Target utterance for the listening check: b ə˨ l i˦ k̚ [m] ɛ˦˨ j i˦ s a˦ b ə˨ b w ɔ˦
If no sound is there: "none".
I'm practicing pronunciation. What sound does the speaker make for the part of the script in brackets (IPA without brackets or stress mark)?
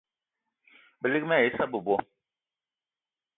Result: m